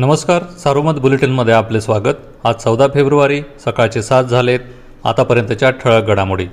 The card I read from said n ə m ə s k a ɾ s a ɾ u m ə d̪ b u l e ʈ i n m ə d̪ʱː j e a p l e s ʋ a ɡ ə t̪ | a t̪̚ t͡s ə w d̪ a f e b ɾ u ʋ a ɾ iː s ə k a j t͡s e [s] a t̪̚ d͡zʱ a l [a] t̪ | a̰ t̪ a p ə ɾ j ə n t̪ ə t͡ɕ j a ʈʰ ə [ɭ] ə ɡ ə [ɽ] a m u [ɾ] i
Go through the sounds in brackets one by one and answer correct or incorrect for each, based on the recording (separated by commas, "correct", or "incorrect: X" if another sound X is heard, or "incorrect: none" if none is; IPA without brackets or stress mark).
correct, incorrect: e, correct, correct, incorrect: ɽ